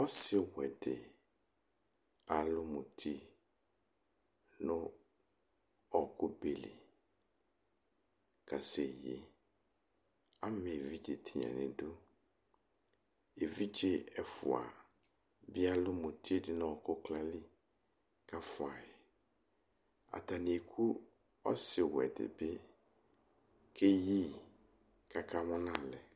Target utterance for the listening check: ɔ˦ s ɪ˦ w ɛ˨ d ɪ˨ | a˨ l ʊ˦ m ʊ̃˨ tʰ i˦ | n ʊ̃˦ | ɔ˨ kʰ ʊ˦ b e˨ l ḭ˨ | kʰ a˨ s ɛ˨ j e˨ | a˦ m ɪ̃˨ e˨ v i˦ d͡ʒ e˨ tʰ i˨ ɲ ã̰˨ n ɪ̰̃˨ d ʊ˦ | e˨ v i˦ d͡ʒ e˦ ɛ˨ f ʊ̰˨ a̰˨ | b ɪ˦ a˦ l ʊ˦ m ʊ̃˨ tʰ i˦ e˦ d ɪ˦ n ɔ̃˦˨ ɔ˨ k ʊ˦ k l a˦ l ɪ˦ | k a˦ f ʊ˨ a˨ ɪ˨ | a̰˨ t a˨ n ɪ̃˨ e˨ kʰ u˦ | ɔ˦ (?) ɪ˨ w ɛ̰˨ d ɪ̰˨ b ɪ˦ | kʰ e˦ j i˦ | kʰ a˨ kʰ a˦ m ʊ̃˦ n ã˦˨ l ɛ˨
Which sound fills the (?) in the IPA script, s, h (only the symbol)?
s